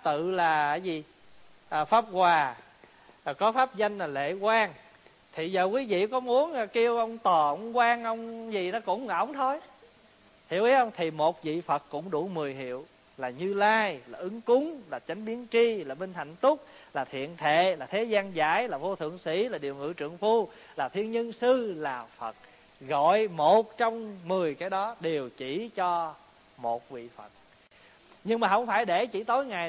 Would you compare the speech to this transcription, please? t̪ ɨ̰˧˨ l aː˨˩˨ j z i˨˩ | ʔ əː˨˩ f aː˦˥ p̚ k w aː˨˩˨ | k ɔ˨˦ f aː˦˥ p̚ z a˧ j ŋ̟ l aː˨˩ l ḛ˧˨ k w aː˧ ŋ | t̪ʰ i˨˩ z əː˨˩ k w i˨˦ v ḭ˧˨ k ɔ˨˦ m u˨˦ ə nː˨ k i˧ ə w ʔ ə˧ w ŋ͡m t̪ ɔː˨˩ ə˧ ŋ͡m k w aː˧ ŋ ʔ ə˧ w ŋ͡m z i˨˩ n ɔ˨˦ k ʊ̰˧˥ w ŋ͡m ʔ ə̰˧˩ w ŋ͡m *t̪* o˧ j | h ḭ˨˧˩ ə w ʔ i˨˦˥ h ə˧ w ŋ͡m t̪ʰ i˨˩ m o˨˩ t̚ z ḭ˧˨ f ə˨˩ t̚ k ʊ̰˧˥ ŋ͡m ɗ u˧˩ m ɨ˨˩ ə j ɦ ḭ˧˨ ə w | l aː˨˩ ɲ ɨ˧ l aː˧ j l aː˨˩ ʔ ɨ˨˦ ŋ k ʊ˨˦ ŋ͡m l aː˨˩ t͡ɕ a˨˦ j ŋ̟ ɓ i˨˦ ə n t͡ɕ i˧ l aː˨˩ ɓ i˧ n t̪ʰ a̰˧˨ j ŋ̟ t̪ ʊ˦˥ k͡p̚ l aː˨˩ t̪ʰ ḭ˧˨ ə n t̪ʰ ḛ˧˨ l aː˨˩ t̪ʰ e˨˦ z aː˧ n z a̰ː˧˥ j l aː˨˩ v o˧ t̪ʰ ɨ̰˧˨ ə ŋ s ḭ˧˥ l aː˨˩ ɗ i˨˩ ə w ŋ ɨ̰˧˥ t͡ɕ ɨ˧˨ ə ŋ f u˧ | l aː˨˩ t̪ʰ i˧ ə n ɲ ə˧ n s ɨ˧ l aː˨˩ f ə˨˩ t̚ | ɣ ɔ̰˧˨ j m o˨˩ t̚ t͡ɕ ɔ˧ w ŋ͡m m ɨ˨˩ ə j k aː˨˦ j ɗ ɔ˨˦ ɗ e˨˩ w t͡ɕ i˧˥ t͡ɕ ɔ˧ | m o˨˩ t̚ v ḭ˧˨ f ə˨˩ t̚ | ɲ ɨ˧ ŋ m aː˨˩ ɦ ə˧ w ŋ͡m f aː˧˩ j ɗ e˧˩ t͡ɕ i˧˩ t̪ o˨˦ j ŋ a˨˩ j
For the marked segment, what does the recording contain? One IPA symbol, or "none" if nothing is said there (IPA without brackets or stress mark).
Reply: t̪ʰ